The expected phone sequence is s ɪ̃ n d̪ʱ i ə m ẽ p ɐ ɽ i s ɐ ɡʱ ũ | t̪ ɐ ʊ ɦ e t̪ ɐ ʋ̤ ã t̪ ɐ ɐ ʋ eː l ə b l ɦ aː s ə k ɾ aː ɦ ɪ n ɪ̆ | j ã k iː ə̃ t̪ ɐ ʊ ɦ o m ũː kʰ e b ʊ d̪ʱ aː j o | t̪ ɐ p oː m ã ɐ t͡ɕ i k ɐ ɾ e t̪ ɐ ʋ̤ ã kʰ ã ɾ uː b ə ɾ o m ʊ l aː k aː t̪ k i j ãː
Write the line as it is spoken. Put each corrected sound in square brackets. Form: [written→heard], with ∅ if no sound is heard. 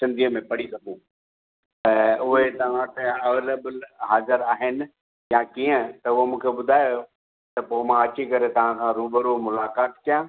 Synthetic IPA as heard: s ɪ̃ n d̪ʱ i ə m ẽ p ɐ ɽ i s ɐ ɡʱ ũ | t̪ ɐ ʊ ɦ e t̪ ɐ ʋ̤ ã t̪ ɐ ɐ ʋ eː l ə b l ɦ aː [s→z] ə [k→∅] ɾ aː ɦ ɪ n ɪ̆ | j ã k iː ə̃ t̪ ɐ ʊ ɦ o m ũː kʰ e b ʊ d̪ʱ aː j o | t̪ ɐ p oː m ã ɐ t͡ɕ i k ɐ ɾ e t̪ ɐ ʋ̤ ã kʰ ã ɾ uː b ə ɾ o m ʊ l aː k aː t̪ k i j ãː